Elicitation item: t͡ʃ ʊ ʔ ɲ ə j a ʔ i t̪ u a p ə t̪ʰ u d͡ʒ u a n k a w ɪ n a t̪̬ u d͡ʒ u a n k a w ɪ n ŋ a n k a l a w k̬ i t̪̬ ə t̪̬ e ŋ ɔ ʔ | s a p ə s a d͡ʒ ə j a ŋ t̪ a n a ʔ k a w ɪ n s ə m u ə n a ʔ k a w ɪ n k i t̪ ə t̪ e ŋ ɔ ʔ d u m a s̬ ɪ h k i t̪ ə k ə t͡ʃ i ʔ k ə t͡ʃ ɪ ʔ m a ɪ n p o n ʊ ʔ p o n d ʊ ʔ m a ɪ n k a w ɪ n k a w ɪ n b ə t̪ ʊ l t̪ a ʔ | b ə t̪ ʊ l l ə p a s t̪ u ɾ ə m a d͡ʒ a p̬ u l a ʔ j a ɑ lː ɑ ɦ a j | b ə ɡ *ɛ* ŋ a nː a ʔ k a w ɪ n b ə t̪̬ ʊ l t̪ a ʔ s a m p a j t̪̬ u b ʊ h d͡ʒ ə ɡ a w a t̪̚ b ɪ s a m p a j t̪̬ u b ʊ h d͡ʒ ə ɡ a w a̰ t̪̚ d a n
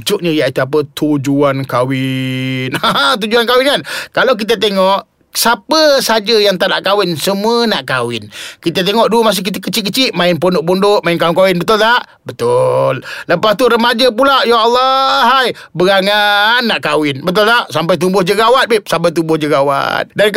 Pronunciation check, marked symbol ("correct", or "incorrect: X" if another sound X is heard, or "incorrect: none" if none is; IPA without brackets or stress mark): incorrect: a